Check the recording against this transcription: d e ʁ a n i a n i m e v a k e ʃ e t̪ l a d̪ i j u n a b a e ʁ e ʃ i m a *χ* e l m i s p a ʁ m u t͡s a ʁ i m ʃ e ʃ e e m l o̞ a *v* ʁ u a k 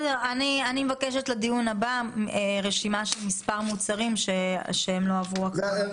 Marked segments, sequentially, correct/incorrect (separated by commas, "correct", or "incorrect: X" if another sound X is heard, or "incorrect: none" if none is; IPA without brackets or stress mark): incorrect: ʃ, correct